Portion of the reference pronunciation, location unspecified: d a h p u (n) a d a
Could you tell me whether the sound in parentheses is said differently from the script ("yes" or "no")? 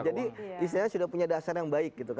yes